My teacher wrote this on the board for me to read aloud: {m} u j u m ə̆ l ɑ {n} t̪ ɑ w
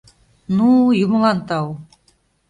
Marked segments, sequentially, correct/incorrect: incorrect: n, correct

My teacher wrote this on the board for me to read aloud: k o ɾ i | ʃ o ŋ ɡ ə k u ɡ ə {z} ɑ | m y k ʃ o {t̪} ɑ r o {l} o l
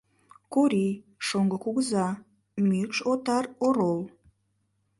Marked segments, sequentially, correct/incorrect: correct, correct, incorrect: ɾ

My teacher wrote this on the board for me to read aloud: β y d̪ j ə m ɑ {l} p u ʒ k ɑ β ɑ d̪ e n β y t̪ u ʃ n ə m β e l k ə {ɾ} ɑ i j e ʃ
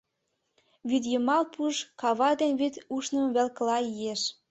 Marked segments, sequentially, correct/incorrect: correct, incorrect: l

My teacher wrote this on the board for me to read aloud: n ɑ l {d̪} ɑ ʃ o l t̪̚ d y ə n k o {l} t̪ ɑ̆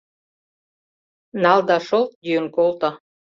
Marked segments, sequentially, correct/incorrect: correct, correct

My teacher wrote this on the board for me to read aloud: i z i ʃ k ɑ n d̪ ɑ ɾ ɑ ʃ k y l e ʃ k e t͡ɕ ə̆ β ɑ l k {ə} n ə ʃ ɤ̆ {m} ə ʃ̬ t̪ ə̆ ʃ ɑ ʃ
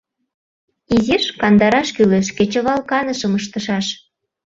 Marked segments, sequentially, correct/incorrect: incorrect: ɑ, correct

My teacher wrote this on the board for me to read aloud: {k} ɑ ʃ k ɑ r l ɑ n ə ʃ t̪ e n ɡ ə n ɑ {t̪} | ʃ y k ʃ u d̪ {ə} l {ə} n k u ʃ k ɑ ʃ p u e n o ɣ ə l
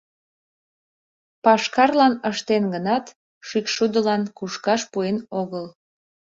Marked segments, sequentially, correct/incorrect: incorrect: p, correct, correct, incorrect: ɑ

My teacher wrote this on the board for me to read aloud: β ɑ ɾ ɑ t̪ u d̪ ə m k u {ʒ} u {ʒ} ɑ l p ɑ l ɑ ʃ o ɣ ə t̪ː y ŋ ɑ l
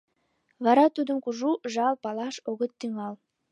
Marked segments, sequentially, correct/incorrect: correct, correct

